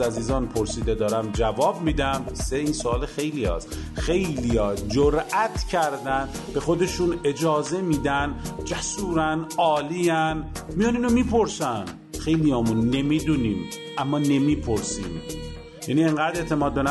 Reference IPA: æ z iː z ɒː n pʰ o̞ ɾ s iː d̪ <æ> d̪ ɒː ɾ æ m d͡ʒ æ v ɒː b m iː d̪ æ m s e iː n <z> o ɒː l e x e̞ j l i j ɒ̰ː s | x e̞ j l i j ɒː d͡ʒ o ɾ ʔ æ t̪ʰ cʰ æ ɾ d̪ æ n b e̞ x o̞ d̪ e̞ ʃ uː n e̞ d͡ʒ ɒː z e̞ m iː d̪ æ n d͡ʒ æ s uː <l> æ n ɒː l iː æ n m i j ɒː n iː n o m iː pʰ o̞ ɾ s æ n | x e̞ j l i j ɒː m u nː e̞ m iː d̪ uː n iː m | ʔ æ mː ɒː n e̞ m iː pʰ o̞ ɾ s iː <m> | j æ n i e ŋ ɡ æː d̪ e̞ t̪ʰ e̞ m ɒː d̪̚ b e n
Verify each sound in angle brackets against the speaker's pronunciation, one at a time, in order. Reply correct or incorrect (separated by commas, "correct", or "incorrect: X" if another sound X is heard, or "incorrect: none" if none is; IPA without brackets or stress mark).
incorrect: e, incorrect: s, incorrect: ɾ, correct